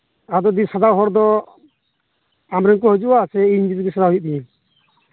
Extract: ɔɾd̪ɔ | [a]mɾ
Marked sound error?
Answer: no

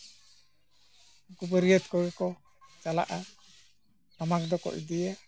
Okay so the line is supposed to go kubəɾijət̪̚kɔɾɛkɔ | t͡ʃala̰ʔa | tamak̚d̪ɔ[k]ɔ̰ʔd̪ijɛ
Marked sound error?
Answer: no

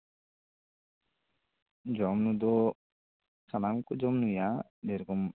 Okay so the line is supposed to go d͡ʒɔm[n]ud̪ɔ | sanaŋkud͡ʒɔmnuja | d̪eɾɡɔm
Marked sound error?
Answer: no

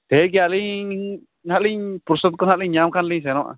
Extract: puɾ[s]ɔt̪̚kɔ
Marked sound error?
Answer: no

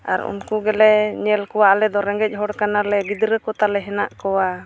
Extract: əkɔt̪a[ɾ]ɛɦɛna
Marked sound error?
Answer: yes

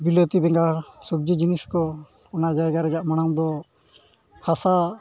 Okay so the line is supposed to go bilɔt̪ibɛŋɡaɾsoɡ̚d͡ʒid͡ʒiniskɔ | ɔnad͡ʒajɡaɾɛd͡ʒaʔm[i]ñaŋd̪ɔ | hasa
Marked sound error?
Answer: yes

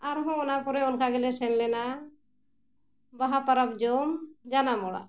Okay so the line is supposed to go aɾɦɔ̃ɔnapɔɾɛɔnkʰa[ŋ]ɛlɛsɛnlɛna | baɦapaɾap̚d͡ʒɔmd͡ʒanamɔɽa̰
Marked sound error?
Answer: yes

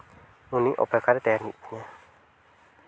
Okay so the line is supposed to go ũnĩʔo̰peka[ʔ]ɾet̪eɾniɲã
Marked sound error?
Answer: yes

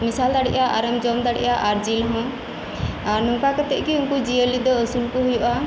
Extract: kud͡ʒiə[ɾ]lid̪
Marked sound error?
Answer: yes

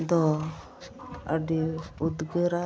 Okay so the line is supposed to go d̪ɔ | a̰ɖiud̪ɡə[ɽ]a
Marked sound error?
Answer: yes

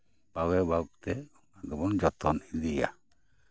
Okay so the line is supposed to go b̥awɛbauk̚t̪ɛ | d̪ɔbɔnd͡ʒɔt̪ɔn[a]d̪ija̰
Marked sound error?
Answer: yes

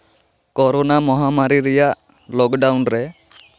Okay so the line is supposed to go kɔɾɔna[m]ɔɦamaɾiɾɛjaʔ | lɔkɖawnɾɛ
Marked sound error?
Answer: no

